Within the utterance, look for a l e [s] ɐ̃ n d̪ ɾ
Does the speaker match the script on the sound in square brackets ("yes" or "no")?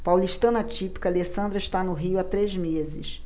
yes